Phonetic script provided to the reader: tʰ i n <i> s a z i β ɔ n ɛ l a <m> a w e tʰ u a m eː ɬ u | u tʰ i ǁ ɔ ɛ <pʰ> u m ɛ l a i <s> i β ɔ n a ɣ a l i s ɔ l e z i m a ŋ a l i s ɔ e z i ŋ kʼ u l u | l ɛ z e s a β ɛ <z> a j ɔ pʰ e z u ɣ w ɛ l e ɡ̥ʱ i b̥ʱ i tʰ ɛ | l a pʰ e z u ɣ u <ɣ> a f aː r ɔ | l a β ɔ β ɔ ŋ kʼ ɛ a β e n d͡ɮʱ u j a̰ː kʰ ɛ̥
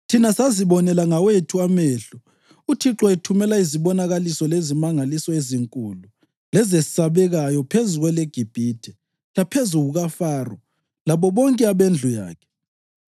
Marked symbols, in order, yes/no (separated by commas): no, no, no, no, no, yes